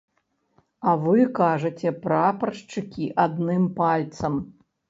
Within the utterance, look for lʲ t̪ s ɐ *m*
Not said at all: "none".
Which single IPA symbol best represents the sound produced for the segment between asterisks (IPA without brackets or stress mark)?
m